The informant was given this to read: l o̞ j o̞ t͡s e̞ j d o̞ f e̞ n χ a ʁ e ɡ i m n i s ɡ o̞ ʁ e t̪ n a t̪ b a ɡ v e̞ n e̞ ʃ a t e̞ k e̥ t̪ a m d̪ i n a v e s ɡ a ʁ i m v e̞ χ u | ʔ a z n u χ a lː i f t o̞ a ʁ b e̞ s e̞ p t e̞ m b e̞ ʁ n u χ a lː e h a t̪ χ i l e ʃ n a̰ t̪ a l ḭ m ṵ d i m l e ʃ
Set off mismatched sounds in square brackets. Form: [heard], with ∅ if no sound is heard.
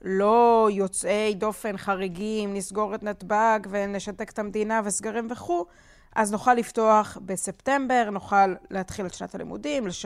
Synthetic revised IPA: l o̞ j o̞ t͡s e̞ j d o̞ f e̞ n χ a ʁ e ɡ i m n i s ɡ o̞ ʁ e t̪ n a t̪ b a ɡ v e̞ n e̞ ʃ a t e̞ k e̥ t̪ a m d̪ i n a v e s ɡ a ʁ i m v e̞ χ u | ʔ a z n u χ a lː i f t o̞ a [χ] b e̞ s e̞ p t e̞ m b e̞ ʁ n u χ a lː e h a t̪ χ i l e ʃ n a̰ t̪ a l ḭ m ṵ d i m l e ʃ